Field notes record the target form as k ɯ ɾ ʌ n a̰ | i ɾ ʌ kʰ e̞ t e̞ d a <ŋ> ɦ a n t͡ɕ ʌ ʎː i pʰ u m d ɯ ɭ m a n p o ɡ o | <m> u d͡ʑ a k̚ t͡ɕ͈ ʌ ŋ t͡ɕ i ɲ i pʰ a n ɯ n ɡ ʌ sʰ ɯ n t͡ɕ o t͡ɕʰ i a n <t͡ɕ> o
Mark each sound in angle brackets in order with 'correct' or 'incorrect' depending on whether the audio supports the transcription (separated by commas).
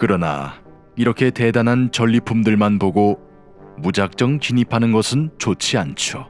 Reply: incorrect, correct, incorrect